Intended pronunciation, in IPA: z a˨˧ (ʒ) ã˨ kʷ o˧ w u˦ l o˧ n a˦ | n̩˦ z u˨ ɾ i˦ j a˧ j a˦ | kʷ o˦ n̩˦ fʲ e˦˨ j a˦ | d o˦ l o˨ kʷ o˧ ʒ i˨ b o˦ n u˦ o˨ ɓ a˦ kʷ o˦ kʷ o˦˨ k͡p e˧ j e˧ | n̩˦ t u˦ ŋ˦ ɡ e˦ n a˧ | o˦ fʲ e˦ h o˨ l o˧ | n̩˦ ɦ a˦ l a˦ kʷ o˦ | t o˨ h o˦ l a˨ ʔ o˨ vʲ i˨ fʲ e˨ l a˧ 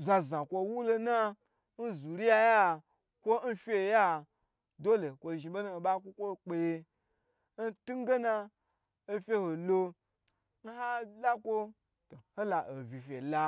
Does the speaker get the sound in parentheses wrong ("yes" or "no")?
yes